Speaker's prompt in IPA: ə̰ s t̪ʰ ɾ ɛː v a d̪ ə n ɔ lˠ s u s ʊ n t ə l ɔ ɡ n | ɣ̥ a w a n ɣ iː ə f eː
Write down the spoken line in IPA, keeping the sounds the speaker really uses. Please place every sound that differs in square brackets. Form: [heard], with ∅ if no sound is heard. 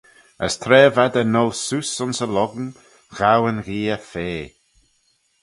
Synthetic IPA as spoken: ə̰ s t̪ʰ ɾ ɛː v a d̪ ə n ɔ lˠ s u s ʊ n [s] ə l ɔ ɡ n | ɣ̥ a w [ə] n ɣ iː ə f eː